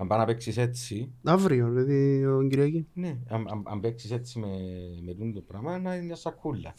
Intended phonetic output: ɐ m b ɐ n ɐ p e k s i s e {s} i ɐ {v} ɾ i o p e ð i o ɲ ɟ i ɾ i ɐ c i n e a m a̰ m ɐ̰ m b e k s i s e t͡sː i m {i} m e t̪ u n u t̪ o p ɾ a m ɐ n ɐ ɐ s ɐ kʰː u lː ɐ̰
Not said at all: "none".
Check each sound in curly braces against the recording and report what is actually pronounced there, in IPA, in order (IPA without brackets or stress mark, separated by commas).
t͡s, v, e